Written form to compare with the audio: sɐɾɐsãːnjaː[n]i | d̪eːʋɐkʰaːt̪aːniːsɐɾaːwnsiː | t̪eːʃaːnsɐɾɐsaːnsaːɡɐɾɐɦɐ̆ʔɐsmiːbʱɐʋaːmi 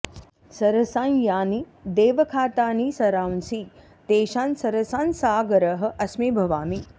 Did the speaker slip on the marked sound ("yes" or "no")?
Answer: no